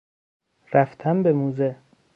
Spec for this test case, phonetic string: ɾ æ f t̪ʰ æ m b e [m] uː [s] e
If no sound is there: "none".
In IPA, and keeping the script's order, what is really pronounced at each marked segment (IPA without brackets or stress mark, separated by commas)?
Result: m, z